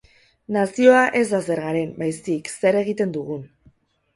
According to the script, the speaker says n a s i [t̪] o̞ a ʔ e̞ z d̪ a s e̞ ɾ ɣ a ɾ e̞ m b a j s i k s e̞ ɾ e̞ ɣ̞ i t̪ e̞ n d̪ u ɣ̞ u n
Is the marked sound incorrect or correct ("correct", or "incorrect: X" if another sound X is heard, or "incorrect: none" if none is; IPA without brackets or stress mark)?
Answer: incorrect: none